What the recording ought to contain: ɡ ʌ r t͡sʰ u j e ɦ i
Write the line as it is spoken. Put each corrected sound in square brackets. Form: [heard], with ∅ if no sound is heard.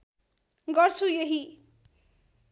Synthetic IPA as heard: ɡ ʌ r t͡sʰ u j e ɦ i